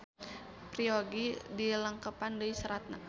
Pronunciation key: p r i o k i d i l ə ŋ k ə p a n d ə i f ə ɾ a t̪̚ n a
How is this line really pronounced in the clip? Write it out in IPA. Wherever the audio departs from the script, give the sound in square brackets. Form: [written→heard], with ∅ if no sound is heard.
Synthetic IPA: p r i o [k→ɡ] i d i l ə ŋ k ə p a n d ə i [f→s] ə ɾ a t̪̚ n a